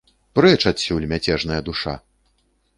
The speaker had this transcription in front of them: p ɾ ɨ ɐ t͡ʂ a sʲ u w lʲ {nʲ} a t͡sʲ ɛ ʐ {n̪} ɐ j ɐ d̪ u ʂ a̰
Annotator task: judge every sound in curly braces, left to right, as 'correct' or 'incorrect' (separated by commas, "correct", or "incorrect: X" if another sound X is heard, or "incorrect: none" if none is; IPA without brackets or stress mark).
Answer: incorrect: mʲ, correct